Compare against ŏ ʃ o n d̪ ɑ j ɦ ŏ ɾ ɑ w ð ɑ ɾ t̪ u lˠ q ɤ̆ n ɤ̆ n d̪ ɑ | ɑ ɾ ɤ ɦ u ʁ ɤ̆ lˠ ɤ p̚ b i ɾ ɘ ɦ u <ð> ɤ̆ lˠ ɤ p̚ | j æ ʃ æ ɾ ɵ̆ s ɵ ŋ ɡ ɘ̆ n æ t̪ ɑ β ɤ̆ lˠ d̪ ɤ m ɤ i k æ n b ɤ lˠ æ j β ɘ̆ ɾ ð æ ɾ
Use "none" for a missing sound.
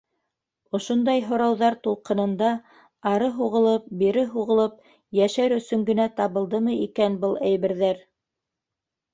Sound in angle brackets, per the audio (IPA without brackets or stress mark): ʁ